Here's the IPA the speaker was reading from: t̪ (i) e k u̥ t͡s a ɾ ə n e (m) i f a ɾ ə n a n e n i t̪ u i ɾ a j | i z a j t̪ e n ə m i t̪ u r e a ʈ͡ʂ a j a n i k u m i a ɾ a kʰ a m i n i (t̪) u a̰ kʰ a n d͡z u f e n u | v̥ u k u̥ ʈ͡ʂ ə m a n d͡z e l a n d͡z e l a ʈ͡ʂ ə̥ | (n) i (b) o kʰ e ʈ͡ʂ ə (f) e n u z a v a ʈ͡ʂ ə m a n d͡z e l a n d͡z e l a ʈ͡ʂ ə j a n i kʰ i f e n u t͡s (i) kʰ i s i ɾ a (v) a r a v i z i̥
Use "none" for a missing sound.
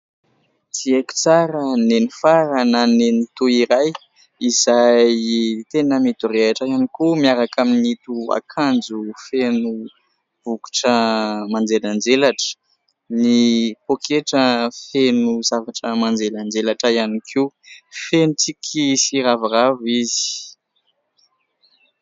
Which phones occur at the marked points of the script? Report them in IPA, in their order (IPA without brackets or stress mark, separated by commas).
i, n, t̪, n, p, f, i, v